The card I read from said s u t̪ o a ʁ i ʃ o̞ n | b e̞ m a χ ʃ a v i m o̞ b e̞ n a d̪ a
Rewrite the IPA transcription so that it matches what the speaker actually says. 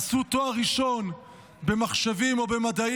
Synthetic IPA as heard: s u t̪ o a ʁ i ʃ o̞ n | b e̞ m a χ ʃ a v i m o̞ b e̞ m a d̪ a